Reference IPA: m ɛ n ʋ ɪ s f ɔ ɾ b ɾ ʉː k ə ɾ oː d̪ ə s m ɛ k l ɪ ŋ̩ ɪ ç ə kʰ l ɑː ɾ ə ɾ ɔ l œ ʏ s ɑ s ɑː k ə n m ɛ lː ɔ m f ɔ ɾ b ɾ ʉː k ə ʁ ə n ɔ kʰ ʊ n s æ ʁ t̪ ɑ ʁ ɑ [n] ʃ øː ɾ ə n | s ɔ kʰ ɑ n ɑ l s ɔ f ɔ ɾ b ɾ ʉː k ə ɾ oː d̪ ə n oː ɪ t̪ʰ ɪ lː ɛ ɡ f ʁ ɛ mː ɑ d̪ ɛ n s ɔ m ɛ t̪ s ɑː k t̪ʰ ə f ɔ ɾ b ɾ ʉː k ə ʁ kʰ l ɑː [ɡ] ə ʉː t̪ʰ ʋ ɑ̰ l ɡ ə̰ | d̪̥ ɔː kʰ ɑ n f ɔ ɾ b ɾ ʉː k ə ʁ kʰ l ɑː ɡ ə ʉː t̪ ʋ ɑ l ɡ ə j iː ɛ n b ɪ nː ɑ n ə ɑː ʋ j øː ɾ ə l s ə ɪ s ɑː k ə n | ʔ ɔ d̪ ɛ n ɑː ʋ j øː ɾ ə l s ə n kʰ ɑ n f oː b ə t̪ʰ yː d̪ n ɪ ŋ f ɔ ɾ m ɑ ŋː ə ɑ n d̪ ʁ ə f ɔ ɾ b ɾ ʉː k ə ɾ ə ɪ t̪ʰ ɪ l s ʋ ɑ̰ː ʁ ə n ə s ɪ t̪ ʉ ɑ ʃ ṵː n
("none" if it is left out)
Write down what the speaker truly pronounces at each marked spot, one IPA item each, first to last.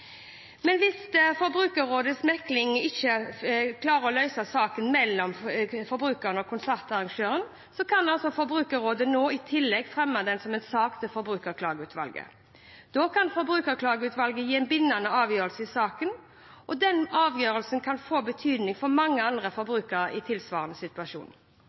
ŋ, ɡ

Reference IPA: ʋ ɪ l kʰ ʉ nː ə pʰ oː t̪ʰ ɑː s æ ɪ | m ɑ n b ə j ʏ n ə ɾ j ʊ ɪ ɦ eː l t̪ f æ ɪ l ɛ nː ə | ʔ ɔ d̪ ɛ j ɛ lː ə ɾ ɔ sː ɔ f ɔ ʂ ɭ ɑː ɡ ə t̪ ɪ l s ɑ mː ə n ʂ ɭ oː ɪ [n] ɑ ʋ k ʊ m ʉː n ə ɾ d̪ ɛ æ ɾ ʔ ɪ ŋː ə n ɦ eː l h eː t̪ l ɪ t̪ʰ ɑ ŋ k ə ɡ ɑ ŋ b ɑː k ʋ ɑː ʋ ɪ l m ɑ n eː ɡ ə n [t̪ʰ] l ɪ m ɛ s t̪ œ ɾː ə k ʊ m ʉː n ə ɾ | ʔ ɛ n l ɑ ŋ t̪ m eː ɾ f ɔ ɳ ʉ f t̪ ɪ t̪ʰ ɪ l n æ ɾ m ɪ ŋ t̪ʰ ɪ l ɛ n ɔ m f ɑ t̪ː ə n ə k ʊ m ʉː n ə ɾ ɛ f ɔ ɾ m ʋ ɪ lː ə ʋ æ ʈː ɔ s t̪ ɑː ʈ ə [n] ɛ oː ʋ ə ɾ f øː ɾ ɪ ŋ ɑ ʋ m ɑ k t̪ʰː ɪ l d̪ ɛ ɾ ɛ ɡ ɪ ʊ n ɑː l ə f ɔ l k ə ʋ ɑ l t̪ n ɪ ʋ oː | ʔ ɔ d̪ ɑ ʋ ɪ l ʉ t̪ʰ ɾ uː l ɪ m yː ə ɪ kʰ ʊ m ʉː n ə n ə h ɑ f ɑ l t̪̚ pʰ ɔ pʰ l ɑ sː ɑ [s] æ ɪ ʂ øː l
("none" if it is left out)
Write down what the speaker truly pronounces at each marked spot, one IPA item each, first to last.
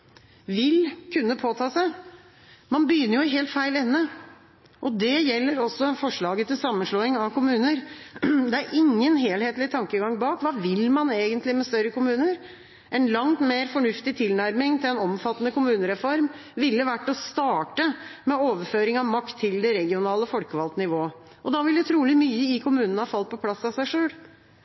ŋ, t̪, m, s

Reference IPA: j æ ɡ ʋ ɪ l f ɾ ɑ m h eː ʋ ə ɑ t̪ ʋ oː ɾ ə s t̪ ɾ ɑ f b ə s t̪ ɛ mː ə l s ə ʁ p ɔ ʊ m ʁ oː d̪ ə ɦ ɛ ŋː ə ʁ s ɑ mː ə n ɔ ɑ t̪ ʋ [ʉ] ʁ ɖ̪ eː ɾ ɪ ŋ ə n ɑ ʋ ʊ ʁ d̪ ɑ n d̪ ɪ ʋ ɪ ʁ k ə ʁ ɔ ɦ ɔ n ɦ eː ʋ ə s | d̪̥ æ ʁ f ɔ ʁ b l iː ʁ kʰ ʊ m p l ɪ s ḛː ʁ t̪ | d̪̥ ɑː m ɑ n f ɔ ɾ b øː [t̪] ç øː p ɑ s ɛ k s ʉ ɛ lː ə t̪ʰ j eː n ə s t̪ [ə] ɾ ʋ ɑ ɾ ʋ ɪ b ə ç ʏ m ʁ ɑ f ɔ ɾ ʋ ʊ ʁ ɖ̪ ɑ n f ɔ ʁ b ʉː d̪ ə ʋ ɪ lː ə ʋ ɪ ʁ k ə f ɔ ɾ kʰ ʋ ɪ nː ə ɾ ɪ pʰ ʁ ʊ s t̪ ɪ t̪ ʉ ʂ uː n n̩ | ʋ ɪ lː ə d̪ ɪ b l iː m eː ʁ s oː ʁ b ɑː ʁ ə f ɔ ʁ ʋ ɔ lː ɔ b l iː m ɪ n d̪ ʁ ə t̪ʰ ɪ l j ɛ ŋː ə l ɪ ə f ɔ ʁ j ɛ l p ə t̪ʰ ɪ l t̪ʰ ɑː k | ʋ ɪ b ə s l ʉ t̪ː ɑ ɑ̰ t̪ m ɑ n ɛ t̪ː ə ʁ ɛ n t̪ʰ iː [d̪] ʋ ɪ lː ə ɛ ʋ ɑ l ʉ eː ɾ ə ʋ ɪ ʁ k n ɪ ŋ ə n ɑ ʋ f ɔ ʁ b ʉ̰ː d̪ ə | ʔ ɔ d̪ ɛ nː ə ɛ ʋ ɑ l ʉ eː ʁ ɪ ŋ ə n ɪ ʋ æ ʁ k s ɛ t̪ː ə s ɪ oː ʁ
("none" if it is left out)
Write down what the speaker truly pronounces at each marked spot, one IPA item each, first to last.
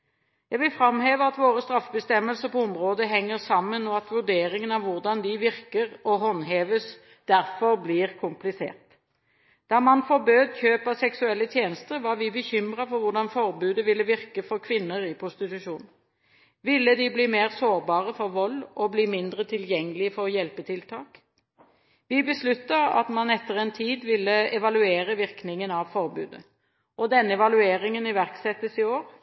ʉ, d̪, ə, d̪

